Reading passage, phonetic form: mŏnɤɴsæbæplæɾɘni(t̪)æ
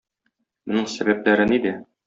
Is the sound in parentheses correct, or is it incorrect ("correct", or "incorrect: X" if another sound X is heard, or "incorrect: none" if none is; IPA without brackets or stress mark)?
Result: incorrect: d̪